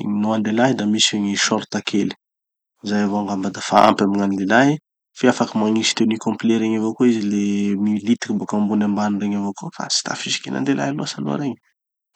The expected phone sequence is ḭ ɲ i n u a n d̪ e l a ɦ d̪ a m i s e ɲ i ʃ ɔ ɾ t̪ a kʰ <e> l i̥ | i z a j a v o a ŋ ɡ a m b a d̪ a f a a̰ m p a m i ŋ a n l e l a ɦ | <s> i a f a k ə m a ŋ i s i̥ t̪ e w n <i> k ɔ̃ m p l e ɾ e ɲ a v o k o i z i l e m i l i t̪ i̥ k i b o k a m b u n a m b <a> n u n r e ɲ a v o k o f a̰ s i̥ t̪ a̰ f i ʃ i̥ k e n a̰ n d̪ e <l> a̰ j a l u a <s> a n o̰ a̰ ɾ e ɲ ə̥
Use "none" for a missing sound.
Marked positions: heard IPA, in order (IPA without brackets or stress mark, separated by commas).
e, f, i, a, l, s